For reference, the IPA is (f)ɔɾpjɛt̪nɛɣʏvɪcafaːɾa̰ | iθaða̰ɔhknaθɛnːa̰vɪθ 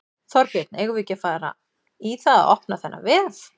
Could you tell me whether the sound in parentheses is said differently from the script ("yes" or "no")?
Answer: yes